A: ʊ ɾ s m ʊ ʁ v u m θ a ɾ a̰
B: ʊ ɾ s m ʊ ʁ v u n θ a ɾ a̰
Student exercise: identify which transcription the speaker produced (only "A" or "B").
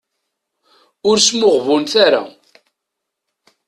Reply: B